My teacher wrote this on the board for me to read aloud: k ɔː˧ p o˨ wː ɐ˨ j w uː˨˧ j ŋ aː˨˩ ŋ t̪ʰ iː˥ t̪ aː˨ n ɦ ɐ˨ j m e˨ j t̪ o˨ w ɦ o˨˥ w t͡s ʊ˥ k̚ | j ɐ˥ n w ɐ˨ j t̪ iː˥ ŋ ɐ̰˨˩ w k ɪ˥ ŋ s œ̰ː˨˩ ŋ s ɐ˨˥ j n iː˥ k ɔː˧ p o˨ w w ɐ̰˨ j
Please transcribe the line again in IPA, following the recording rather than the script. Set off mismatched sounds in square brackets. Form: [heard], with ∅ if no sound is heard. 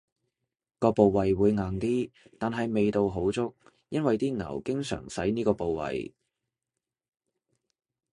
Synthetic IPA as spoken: k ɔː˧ p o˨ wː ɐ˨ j w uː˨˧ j ŋ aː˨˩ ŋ [t̪] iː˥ t̪ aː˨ n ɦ ɐ˨ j m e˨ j t̪ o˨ w ɦ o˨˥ w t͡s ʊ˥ k̚ | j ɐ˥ n w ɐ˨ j t̪ iː˥ ŋ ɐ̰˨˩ w k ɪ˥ ŋ s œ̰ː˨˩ ŋ s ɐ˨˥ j n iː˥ k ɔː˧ p o˨ w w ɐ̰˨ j